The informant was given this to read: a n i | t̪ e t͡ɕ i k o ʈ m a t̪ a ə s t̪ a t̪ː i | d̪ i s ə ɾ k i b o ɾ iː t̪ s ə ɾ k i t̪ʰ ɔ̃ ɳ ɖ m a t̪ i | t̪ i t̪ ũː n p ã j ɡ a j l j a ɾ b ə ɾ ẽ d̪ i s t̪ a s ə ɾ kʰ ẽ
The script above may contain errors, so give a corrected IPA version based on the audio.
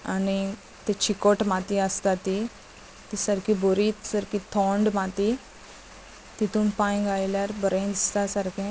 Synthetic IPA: a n i | t̪ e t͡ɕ i k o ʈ m a t̪ i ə s t̪ a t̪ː i | t̪ i s ə ɾ k i b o ɾ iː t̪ s ə ɾ k i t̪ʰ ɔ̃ ɳ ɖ m a t̪ i | t̪ i t̪ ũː n p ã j ɡ a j l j a ɾ b ə ɾ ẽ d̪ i s t̪ a s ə ɾ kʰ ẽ